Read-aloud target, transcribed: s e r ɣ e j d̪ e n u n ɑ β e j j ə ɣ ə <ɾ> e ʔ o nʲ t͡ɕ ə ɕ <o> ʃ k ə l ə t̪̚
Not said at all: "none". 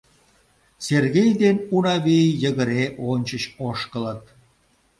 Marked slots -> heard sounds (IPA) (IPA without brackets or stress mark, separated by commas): ɾ, o